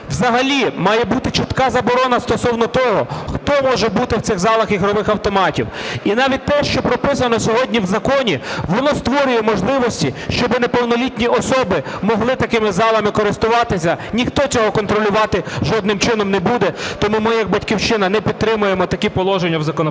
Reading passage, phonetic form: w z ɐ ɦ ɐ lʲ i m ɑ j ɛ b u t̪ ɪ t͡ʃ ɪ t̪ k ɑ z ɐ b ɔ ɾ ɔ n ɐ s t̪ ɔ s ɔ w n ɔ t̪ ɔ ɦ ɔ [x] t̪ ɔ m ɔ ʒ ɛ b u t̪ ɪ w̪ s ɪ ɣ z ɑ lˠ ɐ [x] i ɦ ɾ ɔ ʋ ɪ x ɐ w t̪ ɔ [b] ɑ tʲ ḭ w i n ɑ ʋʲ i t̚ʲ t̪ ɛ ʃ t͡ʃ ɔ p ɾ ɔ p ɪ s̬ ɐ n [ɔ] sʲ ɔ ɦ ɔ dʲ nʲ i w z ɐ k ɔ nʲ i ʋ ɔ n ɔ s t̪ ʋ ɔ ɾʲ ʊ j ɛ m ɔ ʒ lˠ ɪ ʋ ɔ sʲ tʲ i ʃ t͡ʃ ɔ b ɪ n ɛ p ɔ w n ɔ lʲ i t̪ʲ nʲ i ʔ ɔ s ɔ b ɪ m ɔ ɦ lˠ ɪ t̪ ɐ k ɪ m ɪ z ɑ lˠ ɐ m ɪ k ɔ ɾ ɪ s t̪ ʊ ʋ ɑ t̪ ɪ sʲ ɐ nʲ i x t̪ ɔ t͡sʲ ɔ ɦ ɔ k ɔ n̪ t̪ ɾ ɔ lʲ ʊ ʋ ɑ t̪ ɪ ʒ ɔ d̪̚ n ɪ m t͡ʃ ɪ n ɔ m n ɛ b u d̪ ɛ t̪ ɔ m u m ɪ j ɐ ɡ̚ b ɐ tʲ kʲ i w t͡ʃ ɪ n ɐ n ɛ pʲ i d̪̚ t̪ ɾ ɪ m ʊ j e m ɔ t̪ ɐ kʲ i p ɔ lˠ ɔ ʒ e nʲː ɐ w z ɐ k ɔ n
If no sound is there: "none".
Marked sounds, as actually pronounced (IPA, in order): x, x, m, ɔ

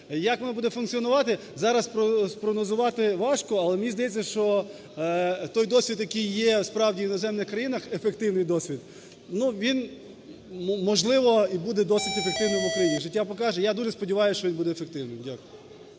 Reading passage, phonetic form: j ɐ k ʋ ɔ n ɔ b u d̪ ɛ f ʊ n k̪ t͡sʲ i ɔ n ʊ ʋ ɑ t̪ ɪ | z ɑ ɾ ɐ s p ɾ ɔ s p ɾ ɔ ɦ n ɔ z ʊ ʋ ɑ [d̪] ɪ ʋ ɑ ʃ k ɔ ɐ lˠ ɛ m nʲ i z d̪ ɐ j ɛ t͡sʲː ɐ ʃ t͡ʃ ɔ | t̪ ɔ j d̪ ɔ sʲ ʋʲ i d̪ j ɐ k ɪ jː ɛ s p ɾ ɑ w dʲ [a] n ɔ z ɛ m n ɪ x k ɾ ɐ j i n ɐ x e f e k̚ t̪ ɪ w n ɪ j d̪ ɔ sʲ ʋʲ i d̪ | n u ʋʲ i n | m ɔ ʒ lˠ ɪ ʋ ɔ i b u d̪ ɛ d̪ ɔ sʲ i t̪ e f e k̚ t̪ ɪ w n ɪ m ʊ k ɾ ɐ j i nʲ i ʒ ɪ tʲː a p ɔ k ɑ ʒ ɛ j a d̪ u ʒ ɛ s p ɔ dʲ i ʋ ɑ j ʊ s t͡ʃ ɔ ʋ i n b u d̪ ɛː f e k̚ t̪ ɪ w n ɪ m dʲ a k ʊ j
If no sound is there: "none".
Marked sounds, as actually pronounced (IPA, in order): t̪, i

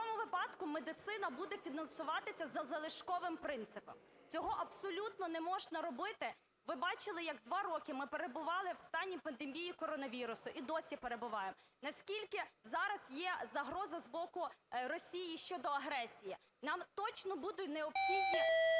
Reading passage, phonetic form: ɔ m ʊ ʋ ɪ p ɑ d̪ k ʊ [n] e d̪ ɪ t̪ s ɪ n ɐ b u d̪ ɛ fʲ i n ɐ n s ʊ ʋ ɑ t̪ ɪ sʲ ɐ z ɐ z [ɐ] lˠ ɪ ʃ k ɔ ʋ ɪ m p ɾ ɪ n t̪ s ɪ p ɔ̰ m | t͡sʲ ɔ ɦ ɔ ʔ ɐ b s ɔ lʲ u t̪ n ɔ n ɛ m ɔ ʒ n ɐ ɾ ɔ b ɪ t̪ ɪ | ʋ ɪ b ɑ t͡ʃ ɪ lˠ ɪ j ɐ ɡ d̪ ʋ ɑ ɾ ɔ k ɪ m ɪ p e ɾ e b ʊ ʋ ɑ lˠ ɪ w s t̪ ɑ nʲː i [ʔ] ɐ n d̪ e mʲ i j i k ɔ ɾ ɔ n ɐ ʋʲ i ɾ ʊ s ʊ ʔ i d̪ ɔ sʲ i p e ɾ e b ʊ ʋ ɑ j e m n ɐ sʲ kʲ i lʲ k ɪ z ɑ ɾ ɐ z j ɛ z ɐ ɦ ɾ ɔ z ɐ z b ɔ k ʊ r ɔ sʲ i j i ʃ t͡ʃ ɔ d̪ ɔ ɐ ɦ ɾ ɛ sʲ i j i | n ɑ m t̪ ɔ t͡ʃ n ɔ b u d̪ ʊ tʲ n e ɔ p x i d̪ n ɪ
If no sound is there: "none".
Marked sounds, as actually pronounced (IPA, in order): m, ɐ, p

